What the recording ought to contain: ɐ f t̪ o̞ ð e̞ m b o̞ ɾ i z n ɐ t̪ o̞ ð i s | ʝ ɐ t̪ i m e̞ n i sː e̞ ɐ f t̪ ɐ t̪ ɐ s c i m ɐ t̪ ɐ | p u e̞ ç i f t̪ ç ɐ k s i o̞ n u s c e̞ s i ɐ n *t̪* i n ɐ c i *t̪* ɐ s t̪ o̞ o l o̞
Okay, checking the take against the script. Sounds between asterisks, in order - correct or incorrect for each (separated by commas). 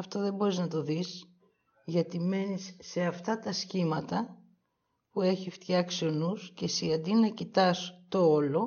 incorrect, correct